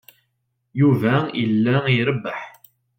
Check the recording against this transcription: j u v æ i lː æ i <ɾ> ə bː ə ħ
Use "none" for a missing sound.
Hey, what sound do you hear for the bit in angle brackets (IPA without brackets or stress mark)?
ɾ